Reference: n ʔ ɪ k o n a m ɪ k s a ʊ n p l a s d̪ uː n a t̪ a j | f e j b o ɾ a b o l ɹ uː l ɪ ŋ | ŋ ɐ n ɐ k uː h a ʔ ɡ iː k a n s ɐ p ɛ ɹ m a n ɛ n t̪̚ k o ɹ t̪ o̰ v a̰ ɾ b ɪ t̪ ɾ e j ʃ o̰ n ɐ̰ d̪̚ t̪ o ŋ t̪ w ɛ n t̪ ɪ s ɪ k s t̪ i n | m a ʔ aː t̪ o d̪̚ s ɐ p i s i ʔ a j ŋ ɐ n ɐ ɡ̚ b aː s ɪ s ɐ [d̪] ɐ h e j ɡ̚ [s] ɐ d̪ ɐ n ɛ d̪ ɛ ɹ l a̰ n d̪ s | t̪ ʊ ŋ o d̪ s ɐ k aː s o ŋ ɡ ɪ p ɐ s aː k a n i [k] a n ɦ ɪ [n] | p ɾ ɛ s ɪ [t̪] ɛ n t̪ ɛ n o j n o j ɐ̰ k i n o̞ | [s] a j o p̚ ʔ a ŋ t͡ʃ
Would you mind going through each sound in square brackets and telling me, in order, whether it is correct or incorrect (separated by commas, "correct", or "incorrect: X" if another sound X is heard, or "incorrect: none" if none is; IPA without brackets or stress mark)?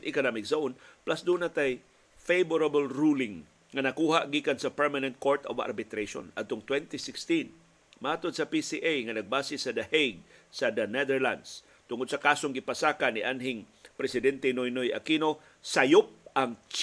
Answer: correct, correct, incorrect: ʔ, incorrect: ŋ, incorrect: d̪, correct